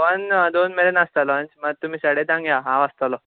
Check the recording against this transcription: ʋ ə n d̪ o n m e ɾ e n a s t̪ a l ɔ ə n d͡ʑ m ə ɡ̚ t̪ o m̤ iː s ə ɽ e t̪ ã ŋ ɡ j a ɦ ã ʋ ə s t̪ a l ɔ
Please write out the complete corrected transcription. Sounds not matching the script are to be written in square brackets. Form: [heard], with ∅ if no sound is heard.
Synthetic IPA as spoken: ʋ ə n d̪ o n m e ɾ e n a s t̪ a l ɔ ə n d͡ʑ m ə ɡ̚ t̪ [u] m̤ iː s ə ɽ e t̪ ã ŋ ɡ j a ɦ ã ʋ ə s t̪ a l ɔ